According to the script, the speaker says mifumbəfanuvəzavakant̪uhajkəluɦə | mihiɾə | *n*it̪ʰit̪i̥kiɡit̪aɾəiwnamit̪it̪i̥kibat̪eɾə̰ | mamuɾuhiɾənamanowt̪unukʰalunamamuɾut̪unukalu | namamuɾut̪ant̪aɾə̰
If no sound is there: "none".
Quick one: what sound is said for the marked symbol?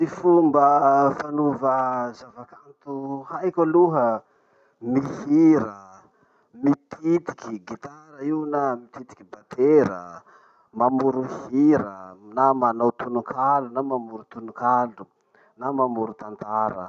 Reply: m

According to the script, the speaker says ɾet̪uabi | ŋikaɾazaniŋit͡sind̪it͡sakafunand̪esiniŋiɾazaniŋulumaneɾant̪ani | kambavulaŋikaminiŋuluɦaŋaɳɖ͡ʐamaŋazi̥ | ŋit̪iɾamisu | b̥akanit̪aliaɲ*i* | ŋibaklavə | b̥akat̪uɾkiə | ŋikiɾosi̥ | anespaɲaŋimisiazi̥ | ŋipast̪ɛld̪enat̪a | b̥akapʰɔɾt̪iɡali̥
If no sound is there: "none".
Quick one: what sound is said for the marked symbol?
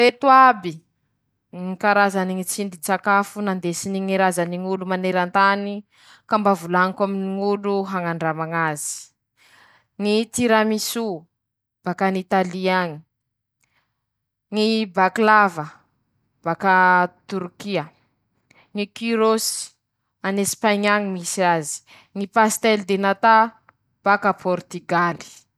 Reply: i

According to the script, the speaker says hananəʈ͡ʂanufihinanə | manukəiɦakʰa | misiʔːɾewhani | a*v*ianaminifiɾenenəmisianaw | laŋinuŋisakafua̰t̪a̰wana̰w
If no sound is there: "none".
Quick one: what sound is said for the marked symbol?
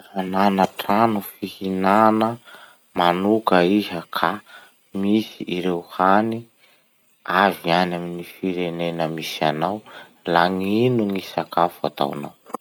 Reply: v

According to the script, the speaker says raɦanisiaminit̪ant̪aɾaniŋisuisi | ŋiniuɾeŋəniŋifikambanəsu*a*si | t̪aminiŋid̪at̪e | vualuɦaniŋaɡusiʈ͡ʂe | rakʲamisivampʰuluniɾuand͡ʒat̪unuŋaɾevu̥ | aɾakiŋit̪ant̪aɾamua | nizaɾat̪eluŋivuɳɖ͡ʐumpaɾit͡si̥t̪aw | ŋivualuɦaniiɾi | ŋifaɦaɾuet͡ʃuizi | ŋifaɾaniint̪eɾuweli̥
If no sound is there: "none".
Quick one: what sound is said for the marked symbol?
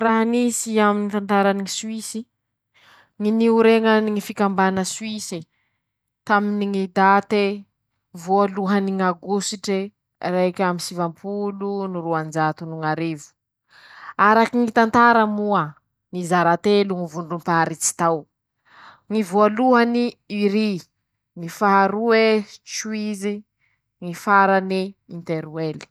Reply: i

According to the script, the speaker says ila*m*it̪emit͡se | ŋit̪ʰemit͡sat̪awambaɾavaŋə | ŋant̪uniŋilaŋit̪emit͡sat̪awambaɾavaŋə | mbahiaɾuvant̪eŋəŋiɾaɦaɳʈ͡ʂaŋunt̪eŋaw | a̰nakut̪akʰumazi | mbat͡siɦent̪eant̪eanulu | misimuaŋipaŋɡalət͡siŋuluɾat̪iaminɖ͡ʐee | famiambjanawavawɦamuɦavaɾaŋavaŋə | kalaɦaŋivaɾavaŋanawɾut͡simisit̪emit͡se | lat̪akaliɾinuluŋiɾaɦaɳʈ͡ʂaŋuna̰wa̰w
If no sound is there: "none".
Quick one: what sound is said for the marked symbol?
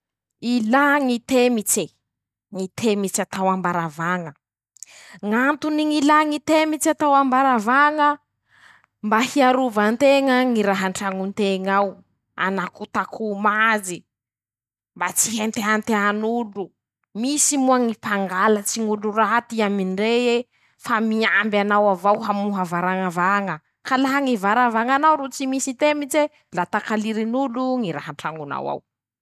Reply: ŋ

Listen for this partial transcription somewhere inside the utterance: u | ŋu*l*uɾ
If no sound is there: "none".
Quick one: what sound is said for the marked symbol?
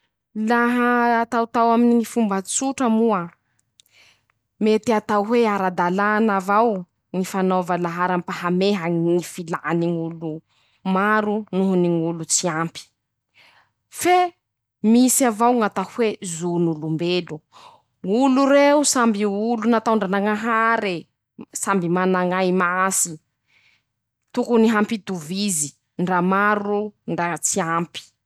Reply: l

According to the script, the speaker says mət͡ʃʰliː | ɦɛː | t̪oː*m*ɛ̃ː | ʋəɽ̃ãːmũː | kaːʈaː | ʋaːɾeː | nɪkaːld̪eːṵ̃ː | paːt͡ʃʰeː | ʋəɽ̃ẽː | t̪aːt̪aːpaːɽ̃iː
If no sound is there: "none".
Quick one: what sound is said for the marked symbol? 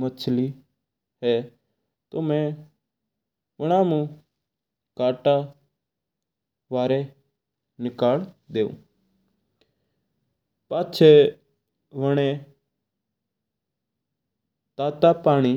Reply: m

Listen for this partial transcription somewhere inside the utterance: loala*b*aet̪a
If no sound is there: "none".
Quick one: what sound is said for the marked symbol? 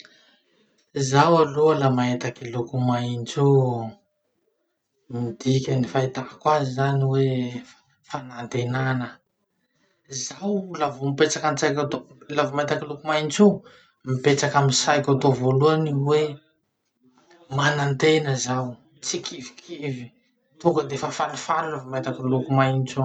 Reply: m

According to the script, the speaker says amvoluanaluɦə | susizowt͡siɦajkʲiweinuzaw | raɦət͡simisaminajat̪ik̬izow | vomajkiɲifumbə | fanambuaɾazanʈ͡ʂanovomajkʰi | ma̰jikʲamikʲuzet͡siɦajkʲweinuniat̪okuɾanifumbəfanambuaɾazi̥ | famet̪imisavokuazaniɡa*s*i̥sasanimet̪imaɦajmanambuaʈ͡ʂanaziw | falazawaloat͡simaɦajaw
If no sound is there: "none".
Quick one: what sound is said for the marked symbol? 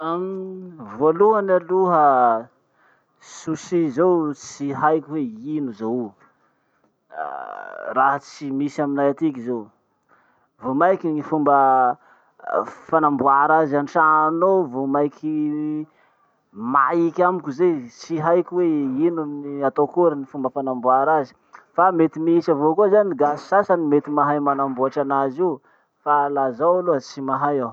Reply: s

